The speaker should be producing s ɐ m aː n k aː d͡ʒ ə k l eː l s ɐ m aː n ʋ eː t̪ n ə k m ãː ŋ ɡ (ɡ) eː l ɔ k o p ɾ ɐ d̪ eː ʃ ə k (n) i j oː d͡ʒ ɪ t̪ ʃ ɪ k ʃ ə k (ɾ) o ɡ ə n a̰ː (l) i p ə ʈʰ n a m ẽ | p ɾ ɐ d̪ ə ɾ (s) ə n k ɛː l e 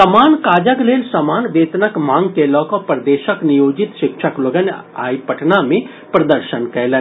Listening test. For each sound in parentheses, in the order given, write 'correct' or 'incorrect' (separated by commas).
incorrect, correct, incorrect, incorrect, incorrect